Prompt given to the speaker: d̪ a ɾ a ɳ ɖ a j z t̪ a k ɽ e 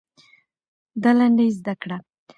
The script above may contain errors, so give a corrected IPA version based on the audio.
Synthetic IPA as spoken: d̪ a l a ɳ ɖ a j z d̪ a k ɽ a